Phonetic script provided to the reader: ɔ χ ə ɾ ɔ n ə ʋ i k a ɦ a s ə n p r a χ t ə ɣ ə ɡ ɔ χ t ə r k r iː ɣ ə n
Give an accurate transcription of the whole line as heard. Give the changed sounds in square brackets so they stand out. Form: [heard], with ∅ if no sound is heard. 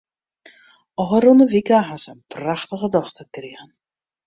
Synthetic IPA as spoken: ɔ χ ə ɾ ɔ n ə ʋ i k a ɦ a s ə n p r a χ t ə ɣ ə [d] ɔ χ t ə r k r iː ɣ ə n